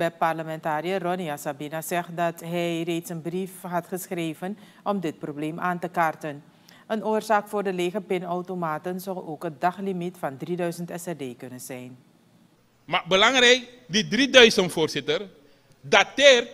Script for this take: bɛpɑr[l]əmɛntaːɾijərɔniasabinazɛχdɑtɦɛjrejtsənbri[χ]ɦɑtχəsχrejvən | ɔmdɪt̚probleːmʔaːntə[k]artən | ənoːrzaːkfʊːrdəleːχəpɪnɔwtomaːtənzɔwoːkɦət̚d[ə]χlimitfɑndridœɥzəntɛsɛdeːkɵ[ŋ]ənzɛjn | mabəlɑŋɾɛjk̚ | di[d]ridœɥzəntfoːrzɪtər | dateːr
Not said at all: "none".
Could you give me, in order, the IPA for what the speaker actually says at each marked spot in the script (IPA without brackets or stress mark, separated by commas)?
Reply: l, f, k, ɑ, n, d